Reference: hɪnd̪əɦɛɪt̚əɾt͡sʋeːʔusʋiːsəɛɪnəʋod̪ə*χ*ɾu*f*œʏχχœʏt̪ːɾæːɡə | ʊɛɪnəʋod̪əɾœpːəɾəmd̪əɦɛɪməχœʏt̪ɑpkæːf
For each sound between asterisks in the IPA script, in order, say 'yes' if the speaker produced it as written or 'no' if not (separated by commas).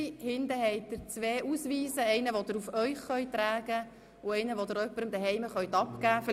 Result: no, yes